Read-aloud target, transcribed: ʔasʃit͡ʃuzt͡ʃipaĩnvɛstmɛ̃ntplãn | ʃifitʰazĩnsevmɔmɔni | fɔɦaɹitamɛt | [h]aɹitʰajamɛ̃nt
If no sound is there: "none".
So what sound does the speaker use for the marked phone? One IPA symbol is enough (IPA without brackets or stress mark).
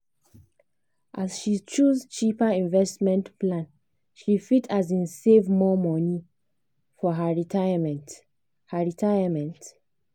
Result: h